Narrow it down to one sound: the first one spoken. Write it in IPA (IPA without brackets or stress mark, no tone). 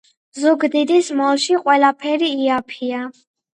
z